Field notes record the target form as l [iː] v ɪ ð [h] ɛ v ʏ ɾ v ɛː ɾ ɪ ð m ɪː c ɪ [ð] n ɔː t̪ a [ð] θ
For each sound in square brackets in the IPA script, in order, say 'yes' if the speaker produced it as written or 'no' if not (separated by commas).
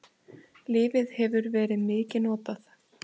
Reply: no, yes, no, no